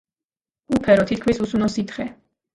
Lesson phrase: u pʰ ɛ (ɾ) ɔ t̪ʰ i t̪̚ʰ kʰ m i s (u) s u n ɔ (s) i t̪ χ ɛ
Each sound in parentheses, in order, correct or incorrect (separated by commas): correct, correct, correct